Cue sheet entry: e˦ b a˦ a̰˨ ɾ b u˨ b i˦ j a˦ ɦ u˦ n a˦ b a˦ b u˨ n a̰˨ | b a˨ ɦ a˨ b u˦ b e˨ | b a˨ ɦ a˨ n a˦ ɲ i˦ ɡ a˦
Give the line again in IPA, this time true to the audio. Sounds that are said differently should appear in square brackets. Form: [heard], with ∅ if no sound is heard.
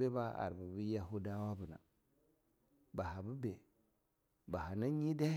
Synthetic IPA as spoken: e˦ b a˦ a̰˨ ɾ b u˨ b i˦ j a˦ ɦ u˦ [d] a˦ [w] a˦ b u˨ n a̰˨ | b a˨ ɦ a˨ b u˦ b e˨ | b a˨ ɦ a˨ n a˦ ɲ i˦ [d] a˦